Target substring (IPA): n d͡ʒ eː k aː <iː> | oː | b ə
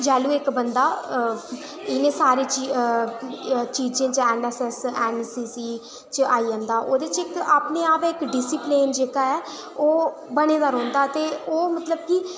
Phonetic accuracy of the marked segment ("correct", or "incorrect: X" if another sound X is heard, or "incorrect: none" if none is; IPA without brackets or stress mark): incorrect: ɛː